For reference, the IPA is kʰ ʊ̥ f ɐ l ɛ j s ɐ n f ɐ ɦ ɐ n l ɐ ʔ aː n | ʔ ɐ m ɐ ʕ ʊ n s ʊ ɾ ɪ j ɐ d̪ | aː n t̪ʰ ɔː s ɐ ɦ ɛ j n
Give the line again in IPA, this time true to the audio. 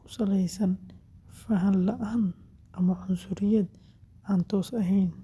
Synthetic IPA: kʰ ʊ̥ s ɐ l ɛ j s ɐ n f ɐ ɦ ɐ n l ɐ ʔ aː n | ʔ ɐ m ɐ ʕ ʊ n s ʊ ɾ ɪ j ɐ d̪ | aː n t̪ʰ ɔː s ɐ ɦ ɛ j n